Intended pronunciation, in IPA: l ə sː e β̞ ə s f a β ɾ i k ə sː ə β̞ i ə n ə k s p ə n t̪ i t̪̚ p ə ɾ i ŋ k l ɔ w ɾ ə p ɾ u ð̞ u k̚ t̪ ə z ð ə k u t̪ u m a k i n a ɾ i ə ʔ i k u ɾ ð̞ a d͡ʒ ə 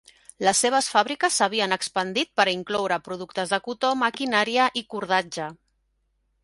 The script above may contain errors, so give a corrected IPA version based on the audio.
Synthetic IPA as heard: l ə sː e β̞ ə s f a β ɾ i k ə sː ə β̞ i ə n ə k s p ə n d̪ i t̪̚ p ə ɾ i ŋ k l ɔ w ɾ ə p ɾ u ð̞ u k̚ t̪ ə z ð ə k u t̪ o m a k i n a ɾ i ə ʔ i k u ɾ ð̞ a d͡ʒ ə